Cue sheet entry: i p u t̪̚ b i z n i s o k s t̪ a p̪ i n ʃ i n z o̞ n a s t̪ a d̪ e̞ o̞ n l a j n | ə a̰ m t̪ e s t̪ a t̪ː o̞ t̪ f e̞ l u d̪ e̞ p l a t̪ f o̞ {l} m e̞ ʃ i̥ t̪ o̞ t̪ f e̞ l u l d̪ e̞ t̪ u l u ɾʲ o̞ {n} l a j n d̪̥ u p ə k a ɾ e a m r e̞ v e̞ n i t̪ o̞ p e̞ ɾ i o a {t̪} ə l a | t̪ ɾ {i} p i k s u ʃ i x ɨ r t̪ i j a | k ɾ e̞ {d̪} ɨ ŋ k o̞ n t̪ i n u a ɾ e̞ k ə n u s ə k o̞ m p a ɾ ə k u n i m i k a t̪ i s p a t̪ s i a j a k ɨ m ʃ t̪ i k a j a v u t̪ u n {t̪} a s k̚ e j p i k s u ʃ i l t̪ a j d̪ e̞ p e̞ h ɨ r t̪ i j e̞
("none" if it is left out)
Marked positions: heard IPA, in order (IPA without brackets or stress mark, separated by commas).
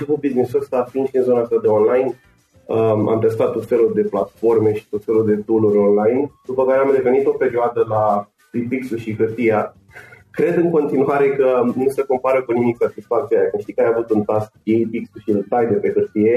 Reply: r, n, d̪, i, d̪, t̪